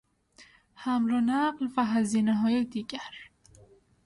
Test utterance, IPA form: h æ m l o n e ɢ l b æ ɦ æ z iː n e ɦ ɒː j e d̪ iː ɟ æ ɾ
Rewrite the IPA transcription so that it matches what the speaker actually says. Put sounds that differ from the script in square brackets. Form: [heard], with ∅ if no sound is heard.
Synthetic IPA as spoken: h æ m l o n [æ] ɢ l [v] æ ɦ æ z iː n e ɦ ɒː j e d̪ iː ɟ æ ɾ